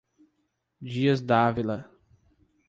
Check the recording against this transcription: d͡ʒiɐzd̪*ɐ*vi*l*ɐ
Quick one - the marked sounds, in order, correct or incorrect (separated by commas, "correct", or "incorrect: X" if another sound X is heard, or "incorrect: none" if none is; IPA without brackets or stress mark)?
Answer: incorrect: a, correct